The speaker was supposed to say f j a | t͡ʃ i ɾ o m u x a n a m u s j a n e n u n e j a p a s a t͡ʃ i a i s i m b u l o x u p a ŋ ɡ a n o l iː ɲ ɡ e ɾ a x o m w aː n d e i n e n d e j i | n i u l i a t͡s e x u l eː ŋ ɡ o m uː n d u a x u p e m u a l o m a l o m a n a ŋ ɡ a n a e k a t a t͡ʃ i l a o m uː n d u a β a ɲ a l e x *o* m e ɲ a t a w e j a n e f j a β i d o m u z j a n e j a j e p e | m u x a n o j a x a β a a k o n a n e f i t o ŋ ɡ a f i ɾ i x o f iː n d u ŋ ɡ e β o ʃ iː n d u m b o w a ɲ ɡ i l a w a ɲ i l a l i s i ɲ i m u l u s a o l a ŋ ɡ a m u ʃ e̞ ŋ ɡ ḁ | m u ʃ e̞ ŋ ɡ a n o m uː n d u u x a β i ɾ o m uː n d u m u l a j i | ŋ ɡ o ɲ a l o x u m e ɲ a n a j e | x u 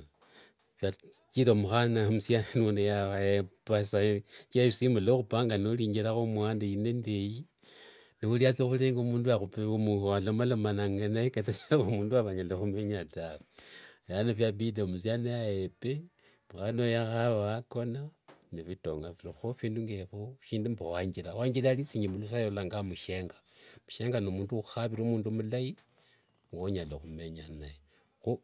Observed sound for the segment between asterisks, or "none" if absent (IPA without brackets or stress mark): u